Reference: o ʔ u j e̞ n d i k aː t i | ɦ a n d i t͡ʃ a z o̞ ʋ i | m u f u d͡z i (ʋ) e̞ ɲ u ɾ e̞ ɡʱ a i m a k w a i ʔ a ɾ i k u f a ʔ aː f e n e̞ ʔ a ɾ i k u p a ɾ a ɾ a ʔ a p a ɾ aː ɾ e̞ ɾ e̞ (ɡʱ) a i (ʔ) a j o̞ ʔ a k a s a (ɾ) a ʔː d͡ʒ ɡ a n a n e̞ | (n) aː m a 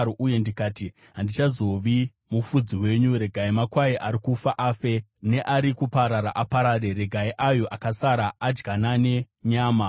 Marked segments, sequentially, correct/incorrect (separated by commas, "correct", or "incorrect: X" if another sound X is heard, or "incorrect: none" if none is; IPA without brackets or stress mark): incorrect: w, correct, correct, correct, incorrect: ɲ